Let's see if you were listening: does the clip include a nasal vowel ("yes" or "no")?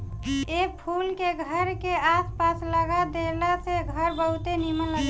no